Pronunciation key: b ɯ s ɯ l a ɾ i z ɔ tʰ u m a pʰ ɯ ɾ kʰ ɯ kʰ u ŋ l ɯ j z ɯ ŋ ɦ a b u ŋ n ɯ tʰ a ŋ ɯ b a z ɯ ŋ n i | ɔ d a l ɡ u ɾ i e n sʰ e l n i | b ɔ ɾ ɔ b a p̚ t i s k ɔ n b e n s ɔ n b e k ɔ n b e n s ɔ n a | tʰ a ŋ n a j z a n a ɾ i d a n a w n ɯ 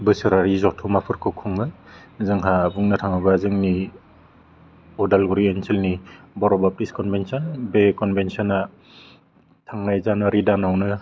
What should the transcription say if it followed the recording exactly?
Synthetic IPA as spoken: b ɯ s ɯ ɾ a ɾ i z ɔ tʰ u m a pʰ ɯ ɾ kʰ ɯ kʰ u ŋ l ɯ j z ɯ ŋ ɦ a b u ŋ n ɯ tʰ a ŋ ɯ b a z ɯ ŋ n i | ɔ d a l ɡ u ɾ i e n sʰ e l n i | b ɔ ɾ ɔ b a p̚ t i s k ɔ n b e n s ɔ n b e k ɔ n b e n s ɔ n a | tʰ a ŋ n a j z a n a ɾ i d a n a w n ɯ